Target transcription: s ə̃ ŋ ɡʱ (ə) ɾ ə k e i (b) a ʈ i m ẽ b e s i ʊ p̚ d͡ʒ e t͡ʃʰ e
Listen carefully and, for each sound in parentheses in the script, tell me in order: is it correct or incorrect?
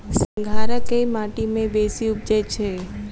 incorrect: a, incorrect: m

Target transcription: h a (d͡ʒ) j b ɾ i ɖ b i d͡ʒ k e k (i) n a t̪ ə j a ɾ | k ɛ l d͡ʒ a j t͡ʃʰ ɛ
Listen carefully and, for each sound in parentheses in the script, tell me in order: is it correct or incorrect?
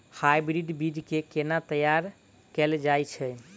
incorrect: none, incorrect: e

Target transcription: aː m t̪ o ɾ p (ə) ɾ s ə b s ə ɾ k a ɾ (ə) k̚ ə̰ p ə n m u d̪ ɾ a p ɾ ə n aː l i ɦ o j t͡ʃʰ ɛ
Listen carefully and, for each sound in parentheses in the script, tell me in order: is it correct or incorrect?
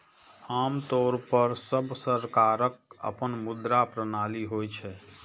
correct, correct

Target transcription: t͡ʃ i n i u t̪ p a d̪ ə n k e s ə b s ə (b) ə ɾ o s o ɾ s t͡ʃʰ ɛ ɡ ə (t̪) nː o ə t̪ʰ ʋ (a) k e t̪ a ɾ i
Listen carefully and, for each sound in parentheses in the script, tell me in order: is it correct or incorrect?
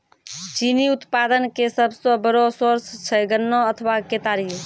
correct, incorrect: none, correct

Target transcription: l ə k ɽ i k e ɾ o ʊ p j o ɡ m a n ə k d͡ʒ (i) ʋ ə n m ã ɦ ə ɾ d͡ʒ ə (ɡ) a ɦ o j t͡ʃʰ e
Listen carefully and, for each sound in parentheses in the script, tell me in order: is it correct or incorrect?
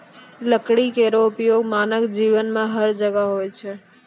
correct, correct

